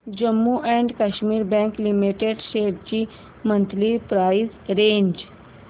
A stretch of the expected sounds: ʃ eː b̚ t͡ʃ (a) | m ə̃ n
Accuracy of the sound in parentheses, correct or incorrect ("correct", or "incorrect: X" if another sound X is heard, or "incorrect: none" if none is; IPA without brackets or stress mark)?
incorrect: i